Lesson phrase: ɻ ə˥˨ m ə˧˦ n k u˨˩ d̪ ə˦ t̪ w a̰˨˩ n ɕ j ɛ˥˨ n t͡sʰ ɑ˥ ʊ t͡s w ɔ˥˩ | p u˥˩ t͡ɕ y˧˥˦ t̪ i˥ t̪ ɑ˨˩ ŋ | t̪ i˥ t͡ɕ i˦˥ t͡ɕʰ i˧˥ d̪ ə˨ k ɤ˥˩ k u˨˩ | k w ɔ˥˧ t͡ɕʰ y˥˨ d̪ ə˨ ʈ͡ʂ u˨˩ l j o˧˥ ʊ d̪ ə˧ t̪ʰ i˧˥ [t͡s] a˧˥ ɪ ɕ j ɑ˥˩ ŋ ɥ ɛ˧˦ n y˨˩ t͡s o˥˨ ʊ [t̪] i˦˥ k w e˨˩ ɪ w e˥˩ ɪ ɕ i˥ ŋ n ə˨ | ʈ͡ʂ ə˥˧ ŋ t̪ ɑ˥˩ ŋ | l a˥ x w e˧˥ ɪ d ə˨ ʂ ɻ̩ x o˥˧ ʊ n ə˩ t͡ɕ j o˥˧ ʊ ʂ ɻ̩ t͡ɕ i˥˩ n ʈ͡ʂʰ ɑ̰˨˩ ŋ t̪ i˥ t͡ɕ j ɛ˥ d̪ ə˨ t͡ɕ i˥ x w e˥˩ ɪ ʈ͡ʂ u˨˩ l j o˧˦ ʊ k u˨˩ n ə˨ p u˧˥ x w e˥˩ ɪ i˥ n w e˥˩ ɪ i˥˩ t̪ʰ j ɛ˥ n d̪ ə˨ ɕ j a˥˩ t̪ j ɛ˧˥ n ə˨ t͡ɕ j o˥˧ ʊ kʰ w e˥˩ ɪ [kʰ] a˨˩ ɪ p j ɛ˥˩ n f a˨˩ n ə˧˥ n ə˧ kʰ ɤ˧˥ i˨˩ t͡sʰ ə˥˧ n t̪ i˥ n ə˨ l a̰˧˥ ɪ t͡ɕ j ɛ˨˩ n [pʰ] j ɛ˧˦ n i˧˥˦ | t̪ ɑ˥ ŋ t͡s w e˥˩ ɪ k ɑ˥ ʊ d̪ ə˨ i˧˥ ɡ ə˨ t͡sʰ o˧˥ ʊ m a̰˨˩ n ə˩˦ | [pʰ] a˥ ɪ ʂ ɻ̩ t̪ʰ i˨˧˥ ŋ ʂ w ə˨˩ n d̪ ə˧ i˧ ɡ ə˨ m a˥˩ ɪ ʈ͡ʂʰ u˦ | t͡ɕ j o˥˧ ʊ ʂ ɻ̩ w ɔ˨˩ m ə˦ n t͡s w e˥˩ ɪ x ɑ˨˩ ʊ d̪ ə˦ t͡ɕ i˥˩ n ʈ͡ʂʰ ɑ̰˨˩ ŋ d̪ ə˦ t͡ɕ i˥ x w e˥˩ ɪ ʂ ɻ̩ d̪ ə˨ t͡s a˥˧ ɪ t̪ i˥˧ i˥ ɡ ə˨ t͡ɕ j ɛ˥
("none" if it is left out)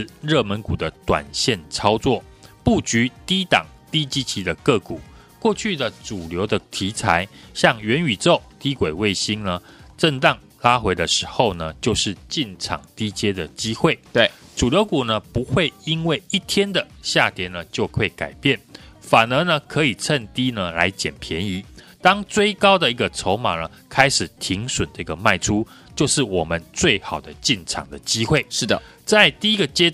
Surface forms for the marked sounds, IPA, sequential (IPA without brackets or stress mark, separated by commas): t͡sʰ, t̪, k, pʰ, kʰ